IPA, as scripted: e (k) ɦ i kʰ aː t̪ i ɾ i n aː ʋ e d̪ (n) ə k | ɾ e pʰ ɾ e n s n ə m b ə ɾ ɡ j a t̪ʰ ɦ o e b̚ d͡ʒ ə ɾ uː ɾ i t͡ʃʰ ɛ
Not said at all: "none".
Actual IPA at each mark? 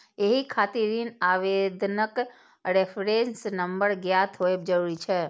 none, n

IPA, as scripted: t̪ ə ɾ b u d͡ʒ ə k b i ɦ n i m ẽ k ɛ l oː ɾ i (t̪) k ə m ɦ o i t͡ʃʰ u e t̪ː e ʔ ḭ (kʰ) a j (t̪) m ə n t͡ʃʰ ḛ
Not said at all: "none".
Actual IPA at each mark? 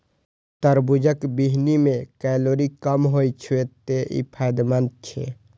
none, pʰ, d̪

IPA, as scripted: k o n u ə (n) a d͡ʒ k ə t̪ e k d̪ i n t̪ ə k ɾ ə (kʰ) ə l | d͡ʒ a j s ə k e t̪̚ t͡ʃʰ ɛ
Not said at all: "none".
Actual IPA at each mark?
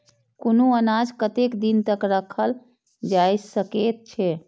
n, kʰ

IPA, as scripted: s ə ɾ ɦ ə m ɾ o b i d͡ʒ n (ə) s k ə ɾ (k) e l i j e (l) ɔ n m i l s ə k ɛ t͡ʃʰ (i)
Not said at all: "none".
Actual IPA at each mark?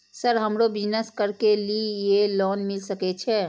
ə, k, l, ɛ

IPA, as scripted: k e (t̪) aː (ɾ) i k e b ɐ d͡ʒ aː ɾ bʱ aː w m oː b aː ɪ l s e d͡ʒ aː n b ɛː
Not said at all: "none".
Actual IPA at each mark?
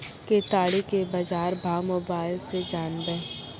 t̪, ɽ

